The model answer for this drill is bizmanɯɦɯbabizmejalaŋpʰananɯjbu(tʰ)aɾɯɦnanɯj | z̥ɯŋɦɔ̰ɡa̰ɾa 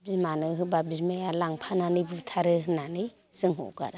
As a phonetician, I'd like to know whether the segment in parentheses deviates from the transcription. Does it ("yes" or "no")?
no